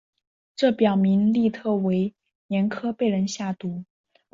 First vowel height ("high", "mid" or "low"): mid